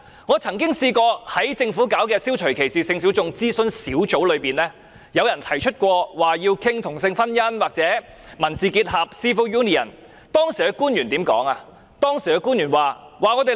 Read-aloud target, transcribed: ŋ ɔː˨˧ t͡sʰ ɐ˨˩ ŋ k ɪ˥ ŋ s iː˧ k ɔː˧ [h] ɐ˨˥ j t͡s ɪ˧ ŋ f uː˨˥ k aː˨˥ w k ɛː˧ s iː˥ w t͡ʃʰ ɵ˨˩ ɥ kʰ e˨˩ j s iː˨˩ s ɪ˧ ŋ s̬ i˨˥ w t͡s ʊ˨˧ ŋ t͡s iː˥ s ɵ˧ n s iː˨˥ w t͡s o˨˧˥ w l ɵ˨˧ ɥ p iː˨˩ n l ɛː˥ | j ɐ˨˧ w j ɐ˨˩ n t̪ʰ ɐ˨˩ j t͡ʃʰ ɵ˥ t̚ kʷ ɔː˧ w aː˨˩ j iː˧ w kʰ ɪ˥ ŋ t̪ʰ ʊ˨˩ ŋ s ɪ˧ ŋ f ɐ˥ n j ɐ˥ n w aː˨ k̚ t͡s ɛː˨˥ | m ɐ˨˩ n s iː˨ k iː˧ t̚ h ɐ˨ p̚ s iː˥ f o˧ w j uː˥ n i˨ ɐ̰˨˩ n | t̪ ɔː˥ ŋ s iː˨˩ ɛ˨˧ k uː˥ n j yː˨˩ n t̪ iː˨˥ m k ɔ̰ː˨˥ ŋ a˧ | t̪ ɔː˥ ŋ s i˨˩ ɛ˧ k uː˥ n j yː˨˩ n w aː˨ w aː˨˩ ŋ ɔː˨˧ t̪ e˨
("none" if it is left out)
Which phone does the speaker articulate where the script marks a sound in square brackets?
h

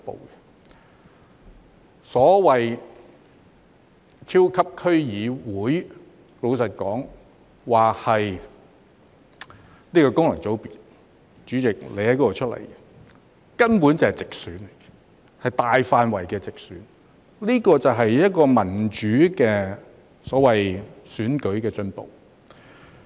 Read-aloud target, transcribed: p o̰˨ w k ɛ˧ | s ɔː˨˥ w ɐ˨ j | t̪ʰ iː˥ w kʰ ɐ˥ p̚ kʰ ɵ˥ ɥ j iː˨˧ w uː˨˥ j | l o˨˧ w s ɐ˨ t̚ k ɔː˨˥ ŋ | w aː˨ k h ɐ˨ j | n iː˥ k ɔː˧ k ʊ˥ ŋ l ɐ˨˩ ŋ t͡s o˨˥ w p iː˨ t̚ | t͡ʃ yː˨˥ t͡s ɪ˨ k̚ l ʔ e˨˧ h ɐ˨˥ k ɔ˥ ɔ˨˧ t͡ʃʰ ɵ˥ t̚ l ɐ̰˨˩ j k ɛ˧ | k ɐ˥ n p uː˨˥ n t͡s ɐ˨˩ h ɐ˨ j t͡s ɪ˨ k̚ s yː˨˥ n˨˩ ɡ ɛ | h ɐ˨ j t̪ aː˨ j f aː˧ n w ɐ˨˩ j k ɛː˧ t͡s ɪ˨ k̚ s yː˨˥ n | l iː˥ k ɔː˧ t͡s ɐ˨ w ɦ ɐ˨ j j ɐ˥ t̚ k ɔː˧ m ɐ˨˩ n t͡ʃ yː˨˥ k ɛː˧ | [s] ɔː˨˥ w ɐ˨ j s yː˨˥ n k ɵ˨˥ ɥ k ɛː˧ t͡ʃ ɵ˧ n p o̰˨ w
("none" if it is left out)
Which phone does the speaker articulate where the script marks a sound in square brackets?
s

